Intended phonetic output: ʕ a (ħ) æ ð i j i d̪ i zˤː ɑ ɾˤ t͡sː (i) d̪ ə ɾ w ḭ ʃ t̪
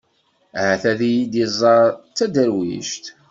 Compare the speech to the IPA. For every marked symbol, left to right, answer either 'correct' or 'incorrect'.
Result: incorrect, incorrect

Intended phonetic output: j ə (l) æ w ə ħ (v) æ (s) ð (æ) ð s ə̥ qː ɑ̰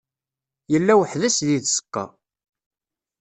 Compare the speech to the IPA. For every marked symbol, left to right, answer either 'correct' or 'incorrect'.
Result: incorrect, incorrect, correct, incorrect

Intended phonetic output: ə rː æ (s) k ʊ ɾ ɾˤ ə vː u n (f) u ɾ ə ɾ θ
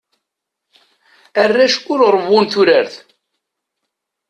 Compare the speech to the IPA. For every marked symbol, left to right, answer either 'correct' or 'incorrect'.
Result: incorrect, incorrect

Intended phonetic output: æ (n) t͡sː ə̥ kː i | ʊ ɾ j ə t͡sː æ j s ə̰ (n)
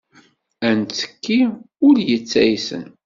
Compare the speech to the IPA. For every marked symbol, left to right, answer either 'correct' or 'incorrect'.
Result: correct, correct

